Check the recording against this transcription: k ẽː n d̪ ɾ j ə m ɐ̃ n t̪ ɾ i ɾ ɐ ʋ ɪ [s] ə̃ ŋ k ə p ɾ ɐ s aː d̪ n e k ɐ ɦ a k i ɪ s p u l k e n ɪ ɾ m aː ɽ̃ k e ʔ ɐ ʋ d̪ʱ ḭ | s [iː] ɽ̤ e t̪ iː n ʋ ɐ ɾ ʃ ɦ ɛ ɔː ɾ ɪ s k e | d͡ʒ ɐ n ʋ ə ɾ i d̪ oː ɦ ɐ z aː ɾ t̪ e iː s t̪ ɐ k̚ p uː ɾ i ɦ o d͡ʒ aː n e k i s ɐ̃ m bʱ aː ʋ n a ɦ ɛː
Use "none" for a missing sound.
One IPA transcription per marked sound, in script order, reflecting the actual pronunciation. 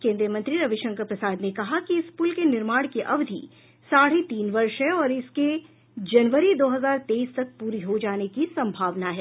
ʃ, aː

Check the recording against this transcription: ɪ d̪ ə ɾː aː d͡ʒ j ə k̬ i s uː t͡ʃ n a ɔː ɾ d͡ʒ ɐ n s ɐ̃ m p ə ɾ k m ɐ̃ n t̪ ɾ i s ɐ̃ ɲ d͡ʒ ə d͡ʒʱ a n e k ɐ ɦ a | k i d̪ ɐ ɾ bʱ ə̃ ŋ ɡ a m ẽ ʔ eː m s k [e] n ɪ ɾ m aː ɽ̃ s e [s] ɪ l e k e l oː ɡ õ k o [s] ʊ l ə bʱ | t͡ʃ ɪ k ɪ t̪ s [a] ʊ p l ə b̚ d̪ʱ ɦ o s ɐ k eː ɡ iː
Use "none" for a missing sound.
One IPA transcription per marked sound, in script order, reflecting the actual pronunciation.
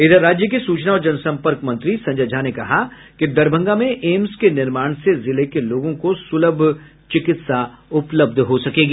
e, z, s, a

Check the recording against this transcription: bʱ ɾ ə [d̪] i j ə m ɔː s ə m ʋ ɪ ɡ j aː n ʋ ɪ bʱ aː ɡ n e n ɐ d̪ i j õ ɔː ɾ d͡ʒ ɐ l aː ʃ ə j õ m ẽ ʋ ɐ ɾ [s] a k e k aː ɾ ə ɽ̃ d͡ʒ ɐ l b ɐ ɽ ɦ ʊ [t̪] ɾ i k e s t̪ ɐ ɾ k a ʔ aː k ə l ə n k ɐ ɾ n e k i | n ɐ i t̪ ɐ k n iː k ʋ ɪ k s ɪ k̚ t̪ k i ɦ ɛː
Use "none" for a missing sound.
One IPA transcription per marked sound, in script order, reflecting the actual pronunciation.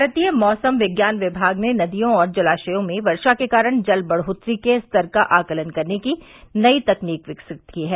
t̪, ʃ, t̪

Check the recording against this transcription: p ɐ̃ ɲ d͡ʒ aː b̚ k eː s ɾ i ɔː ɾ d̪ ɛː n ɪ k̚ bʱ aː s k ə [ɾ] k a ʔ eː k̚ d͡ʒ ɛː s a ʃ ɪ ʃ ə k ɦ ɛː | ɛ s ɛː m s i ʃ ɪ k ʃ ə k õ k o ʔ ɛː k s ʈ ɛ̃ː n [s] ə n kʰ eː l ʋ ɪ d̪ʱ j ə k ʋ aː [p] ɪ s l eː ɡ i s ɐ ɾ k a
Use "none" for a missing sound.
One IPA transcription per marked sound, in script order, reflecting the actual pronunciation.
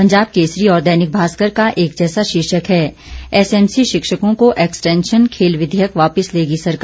ɾ, ʃ, p

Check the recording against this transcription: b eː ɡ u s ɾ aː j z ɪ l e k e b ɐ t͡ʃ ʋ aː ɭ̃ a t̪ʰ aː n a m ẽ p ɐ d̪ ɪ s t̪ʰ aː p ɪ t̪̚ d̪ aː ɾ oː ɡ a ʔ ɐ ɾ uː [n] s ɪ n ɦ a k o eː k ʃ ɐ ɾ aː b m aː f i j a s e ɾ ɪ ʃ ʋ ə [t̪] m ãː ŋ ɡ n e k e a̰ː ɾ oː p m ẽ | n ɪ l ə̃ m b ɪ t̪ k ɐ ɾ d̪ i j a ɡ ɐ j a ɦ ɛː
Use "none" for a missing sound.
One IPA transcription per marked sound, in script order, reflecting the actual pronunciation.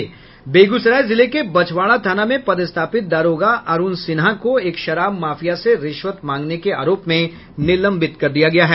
n, t̪

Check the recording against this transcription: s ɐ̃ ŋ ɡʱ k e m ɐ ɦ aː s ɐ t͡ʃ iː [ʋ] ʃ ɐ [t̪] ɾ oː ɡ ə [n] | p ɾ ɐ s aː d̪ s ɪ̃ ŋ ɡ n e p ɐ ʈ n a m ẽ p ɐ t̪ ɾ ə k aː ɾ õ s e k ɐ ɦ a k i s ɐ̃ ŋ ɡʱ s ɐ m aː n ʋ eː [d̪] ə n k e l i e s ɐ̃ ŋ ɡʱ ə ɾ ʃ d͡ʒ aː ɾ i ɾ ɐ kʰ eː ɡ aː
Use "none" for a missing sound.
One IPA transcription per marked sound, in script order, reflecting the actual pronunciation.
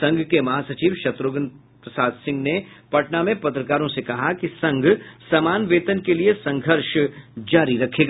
ʋ, t̪, n, t̪

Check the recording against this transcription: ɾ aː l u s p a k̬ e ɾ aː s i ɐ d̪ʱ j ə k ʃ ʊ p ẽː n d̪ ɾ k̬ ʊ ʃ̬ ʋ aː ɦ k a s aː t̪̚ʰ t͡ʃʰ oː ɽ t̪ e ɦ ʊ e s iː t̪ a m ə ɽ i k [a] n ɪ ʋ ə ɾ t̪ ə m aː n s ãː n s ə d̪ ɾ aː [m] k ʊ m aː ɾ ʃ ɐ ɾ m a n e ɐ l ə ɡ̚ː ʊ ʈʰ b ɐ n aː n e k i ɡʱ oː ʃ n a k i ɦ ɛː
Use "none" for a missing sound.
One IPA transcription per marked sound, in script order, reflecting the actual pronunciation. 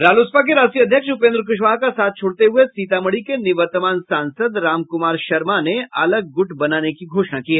e, m

